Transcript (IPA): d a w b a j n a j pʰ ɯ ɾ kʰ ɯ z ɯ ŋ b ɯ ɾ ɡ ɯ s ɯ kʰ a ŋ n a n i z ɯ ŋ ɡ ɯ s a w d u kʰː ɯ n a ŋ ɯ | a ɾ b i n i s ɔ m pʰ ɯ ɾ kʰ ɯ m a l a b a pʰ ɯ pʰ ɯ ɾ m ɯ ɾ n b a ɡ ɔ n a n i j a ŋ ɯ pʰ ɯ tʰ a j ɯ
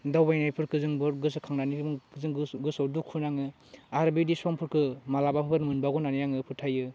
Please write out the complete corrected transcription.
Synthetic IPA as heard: d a w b a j n a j pʰ ɯ ɾ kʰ ɯ z ɯ ŋ b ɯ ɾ ɡ ɯ s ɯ kʰ a ŋ n a n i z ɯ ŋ ɡ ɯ s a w d u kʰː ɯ n a ŋ ɯ | a ɾ b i d i s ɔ m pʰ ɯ ɾ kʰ ɯ m a l a b a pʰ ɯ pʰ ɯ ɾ m ɯ n b a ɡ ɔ n a n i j a ŋ ɯ pʰ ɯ tʰ a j ɯ

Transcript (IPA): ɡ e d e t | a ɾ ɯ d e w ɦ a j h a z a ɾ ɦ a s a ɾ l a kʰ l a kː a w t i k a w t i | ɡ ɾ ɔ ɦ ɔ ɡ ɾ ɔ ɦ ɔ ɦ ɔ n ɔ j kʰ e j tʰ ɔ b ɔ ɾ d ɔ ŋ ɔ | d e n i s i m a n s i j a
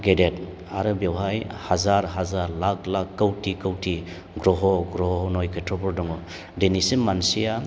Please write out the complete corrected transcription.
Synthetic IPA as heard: ɡ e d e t | a ɾ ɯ b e w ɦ a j h a z a ɾ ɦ a z a ɾ l a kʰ l a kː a w t i k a w t i | ɡ ɾ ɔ ɦ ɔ ɡ ɾ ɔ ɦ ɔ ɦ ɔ n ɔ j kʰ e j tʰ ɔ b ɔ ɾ d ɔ ŋ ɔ | d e n i s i m a n s i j a

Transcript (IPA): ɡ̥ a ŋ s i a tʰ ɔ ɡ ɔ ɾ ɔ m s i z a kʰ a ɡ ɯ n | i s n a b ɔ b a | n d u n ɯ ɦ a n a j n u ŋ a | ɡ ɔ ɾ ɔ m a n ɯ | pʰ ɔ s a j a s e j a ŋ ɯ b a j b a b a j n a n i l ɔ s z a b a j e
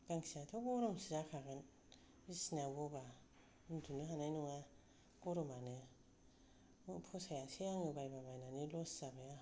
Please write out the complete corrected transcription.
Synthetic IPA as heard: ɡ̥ a ŋ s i a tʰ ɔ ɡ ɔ ɾ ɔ m s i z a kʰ a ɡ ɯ n | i s n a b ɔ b a | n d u n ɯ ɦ a n a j n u ŋ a | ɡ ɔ ɾ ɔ m a n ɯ | pʰ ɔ s a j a s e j a ŋ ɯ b a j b a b a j n a n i l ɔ s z a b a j a

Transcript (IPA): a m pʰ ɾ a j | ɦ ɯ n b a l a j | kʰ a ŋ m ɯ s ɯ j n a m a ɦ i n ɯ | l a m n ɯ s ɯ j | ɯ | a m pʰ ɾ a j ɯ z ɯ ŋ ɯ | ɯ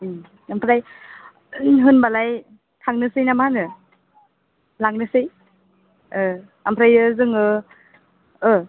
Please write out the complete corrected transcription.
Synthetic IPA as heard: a m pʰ ɾ a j | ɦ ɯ n b a l a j | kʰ a ŋ n ɯ s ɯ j n a m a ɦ a n ɯ | l a ŋ n ɯ s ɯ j | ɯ | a m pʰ ɾ a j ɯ z ɯ ŋ ɯ | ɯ

